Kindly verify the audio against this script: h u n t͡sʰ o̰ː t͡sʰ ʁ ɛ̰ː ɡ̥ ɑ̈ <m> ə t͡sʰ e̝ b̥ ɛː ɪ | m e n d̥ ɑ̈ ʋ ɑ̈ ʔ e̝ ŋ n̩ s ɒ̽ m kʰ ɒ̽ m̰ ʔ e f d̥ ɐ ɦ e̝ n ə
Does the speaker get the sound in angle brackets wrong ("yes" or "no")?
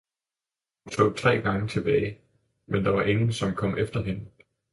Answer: yes